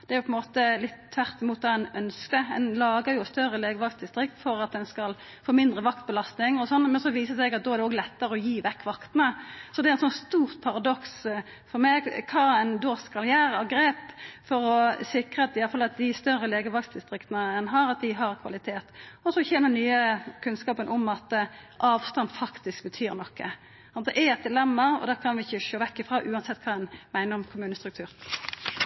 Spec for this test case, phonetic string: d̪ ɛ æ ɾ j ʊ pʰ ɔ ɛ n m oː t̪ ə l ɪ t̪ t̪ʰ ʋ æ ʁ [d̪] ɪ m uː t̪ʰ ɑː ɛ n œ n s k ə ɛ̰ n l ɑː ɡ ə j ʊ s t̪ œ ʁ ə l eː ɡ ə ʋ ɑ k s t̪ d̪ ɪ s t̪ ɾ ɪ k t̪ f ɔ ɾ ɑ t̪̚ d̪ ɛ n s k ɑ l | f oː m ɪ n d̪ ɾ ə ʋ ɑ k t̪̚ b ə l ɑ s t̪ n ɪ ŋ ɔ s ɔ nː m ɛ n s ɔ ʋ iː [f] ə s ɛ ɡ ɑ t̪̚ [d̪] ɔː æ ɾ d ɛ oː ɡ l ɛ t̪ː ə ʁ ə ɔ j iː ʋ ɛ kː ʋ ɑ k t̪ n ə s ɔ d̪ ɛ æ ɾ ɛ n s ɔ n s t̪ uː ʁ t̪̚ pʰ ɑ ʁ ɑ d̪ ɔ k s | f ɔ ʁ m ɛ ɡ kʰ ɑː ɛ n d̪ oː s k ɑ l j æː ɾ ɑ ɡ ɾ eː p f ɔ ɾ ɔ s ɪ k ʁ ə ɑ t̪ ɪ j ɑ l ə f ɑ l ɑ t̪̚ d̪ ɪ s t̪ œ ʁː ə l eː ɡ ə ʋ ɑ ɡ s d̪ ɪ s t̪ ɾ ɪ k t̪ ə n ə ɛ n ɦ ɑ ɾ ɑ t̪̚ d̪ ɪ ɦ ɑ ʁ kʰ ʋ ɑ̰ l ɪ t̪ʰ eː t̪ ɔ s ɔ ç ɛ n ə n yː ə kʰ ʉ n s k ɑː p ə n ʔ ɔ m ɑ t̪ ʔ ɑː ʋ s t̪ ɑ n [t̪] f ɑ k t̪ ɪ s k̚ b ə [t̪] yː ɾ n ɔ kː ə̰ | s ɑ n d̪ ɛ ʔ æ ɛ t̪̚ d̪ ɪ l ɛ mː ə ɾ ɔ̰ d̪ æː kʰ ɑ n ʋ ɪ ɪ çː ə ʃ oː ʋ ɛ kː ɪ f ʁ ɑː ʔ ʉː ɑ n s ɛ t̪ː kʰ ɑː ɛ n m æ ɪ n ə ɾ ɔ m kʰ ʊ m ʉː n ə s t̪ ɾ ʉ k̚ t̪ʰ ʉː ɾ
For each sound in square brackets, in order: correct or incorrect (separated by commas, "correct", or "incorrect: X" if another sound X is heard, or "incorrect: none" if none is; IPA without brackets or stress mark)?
incorrect: t̪, incorrect: s, correct, incorrect: d̪, incorrect: t̪ʰ